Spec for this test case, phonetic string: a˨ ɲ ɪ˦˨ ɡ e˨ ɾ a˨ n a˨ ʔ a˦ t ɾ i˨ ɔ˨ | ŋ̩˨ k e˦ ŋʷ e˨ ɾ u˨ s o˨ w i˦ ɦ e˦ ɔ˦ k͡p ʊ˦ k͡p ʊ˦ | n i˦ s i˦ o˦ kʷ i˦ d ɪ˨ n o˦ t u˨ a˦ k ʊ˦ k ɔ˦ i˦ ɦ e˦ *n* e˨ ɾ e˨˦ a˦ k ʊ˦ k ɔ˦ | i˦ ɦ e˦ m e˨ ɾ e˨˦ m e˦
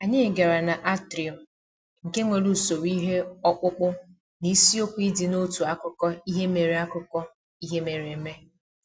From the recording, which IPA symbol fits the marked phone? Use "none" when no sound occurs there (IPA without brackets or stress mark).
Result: m